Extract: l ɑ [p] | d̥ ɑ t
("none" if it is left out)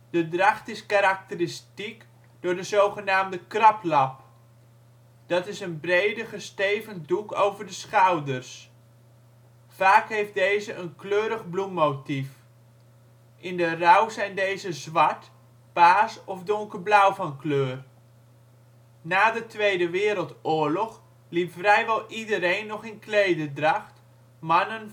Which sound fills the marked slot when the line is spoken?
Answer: p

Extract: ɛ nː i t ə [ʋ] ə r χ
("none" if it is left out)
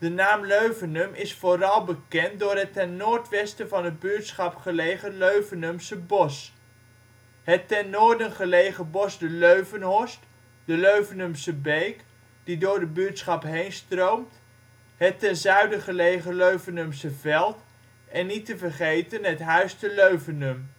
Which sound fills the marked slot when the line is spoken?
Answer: v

